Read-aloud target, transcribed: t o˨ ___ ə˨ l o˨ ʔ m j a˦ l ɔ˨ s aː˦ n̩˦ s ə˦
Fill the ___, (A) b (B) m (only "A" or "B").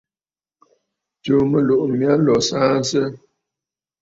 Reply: B